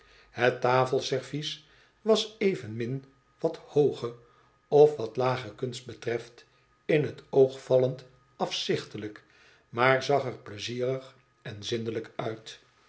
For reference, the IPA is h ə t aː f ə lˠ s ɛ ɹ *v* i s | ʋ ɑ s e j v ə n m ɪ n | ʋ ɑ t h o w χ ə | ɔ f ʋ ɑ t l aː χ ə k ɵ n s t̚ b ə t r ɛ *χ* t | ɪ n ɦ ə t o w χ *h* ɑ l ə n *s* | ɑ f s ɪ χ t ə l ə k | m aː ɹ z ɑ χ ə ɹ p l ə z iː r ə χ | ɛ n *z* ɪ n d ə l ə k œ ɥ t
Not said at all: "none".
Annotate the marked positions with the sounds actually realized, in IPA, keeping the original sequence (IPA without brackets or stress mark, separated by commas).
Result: v, f, f, t, z